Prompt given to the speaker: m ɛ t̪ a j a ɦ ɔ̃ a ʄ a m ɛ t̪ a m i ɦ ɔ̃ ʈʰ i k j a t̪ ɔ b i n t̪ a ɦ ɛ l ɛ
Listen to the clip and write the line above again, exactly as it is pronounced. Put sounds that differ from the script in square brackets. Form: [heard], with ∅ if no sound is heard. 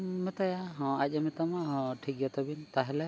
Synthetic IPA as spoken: m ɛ t̪ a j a ɦ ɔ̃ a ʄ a m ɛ t̪ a m [a] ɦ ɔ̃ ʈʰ i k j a t̪ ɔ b i n t̪ a ɦ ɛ l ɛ